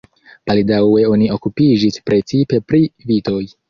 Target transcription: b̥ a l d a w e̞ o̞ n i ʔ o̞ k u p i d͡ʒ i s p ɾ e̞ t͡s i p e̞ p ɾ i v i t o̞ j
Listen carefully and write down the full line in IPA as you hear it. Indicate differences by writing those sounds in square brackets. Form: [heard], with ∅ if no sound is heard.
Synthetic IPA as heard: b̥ a l d a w e̞ o̞ n i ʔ o̞ k u p i d͡ʒ i s p ɾ e̞ t͡s i p e̞ p ɾ i v i t o̞ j